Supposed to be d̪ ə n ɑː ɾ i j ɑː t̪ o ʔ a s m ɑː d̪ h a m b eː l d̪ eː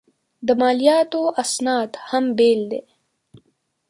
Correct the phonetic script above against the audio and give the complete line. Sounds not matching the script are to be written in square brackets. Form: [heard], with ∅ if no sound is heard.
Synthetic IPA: d̪ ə [m] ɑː [l] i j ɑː t̪ o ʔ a s [n] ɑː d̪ h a m b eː l d̪ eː

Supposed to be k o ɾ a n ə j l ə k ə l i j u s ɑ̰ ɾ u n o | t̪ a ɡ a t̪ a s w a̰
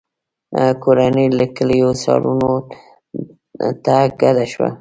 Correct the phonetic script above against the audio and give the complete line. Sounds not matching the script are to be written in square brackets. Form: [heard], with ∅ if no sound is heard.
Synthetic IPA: k o ɾ a n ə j l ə k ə l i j [o] s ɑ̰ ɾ u n o | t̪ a ɡ a [d̪] a [ʃ] w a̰

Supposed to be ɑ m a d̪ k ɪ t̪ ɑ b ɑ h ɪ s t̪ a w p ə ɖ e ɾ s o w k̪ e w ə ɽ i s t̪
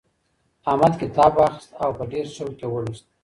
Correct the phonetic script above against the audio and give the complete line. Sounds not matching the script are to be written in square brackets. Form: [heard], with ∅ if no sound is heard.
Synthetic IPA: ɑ m a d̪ k ɪ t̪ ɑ b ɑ [x] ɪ s t̪ a w p ə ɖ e ɾ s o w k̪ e w ə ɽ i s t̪

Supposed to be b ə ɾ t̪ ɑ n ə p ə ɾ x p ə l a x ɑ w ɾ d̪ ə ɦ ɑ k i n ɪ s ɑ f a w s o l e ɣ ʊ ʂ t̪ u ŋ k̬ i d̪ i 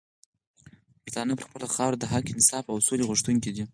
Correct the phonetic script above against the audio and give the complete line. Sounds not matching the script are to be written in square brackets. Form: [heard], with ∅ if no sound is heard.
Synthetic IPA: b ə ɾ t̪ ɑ n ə p ə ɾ x p ə l a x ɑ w ɾ d̪ ə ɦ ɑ k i n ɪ s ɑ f a w s o l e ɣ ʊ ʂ t̪ u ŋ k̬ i d̪ i

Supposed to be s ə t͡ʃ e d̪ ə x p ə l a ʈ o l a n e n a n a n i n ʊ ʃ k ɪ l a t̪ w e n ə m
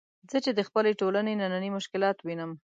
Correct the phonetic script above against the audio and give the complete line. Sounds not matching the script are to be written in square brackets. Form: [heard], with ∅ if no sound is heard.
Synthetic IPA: [z] ə t͡ʃ e d̪ ə x p ə l [e] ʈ o l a n e n a n a n i [m] ʊ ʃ k ɪ l [ɑ] t̪ w [i] n ə m

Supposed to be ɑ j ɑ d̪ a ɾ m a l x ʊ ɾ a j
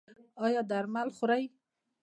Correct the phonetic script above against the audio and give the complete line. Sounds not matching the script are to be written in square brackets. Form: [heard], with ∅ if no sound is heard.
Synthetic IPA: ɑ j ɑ d̪ a ɾ m a l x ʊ ɾ a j

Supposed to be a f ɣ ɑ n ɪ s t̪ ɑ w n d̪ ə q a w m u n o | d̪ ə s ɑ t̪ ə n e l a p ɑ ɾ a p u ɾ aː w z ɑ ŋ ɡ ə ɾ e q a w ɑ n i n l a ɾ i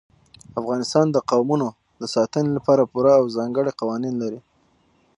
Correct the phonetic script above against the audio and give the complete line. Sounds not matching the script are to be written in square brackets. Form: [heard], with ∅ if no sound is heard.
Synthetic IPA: a f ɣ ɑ n ɪ s t̪ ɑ [∅] n d̪ ə q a w m u n o | d̪ ə s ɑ t̪ ə n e l a p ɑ ɾ a p u ɾ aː w z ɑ ŋ ɡ ə [ɽ] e q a w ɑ n i n l a ɾ i

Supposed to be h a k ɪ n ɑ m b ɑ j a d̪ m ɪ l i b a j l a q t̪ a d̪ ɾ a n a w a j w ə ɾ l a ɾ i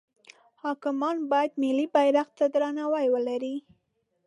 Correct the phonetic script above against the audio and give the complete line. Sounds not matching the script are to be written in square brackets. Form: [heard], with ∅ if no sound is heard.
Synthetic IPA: h [ɑ] k ɪ [m] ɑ [n] b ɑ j a d̪ m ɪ l i b a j [ɾ] a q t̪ a d̪ ɾ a n a w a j w ə [∅] l a ɾ i

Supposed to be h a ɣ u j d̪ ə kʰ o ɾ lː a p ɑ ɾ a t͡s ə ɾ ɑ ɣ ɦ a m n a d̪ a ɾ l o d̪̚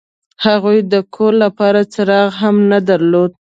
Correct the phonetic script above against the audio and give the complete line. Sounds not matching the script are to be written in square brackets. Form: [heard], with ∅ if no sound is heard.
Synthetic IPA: h a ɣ u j d̪ ə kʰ o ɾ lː a p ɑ ɾ a t͡s ə ɾ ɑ ɣ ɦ a m n a d̪ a ɾ l o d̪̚

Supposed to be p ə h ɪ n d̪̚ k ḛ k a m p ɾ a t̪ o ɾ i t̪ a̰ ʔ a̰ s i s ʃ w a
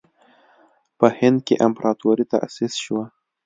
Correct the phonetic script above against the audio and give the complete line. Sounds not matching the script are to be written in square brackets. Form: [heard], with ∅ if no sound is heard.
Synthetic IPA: p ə h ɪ n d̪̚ k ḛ [ʔ] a m p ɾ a t̪ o ɾ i t̪ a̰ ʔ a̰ s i s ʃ w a

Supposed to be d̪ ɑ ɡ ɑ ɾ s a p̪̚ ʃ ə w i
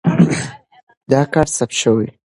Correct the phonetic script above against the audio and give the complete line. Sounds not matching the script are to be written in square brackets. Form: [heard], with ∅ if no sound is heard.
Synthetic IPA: d̪ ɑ [k] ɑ ɾ s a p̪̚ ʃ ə w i

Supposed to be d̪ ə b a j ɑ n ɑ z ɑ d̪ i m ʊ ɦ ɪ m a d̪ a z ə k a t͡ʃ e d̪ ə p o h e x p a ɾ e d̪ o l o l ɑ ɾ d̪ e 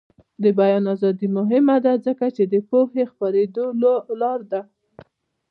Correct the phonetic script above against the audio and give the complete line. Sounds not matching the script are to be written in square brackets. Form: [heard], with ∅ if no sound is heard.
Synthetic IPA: d̪ ə b a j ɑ n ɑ z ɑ d̪ i m ʊ ɦ ɪ m a d̪ a z ə k a t͡ʃ e d̪ ə p o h e x p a ɾ e d̪ o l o l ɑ ɾ d̪ [a]

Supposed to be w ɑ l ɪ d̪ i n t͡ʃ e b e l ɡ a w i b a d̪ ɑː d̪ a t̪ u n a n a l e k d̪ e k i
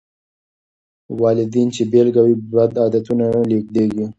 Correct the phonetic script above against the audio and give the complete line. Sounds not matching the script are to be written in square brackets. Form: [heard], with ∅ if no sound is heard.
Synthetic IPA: w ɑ l ɪ d̪ i n t͡ʃ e b e l ɡ a w i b a d̪ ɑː d̪ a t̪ u n a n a l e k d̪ e [ɡ] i

